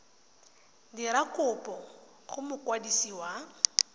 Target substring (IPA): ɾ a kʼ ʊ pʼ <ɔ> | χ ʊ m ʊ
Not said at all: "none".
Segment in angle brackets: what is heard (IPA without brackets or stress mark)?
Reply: ɔ